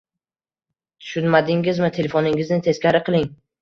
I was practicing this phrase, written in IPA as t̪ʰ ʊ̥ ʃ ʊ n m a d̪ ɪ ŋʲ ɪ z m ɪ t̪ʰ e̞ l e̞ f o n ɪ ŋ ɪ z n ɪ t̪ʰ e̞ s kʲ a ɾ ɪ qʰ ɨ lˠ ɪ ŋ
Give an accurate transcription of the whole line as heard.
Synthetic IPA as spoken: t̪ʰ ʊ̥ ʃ ʊ n m a d̪ ɪ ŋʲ ɪ z m ɪ t̪ʰ e̞ l e̞ f o n ɪ ŋ ɪ z n ɪ t̪ʰ e̞ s kʲ a ɾ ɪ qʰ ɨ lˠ ɪ ŋ

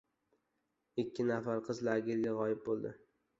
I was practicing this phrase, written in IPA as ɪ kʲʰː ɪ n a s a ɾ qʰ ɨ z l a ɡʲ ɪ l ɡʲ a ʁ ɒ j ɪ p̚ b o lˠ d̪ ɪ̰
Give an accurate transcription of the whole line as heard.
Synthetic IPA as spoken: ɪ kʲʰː ɪ n a f a ɾ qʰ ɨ z l a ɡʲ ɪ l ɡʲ a ʁ ɒ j ɪ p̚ b o lˠ d̪ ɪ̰

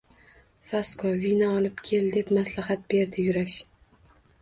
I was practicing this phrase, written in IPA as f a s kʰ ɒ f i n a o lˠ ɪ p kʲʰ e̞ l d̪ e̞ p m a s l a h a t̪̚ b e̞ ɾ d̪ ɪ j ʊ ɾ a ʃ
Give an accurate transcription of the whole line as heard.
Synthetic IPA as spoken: f a s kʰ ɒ v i n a ɒ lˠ ɪ p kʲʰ e̞ l d̪ e̞ p m a s l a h a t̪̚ b e̞ ɾ d̪ ɪ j ʊ ɾ a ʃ

